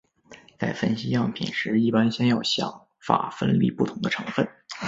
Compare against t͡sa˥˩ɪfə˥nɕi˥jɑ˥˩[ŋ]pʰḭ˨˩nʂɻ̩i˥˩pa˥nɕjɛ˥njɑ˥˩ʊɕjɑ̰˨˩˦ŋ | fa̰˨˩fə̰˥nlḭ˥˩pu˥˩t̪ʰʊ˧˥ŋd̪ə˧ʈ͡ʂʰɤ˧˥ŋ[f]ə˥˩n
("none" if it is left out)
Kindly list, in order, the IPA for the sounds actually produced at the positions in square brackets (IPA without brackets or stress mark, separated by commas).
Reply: ŋ, f